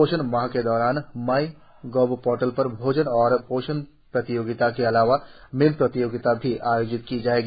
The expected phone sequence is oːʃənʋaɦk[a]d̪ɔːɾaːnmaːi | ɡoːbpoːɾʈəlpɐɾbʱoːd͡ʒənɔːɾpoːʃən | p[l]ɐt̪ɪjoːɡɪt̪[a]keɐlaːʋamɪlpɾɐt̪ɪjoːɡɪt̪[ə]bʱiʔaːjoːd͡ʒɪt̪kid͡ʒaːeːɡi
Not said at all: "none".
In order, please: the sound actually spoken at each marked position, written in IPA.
e, ɾ, a, a

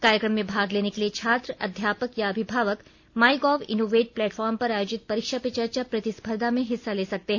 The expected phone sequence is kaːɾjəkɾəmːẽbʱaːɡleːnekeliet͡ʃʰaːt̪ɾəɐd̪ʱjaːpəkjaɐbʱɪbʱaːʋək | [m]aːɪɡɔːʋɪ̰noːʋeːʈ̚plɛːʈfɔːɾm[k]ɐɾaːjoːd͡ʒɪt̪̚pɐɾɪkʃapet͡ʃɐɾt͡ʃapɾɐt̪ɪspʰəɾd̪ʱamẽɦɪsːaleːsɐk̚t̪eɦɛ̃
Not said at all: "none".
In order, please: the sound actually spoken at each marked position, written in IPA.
m, p

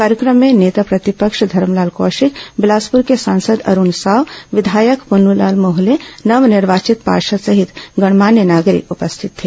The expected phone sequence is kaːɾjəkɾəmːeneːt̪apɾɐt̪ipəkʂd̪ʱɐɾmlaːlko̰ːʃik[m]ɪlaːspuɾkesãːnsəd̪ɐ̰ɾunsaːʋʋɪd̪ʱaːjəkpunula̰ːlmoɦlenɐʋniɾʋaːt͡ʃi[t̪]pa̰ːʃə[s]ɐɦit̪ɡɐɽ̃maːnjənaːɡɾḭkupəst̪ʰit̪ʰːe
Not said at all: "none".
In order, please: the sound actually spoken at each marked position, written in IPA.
b, t̪, s

